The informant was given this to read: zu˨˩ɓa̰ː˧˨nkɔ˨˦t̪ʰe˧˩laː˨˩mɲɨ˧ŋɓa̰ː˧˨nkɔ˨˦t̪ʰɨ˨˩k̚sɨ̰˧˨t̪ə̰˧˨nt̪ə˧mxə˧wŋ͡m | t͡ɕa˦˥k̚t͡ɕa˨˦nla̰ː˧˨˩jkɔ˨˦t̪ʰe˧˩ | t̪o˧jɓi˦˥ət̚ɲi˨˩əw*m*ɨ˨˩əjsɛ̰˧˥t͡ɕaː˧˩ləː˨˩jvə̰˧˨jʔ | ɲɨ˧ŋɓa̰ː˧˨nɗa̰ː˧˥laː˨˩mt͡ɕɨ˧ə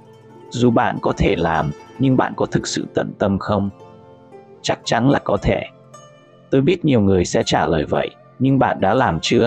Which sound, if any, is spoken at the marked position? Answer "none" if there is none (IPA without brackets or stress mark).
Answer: ŋ